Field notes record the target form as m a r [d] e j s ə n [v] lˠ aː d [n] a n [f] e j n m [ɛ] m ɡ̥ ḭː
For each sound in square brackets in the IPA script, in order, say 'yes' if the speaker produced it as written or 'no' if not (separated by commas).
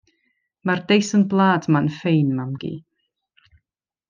yes, no, no, yes, no